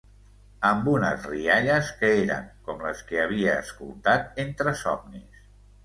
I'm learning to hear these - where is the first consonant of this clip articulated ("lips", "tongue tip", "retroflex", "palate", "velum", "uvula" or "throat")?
lips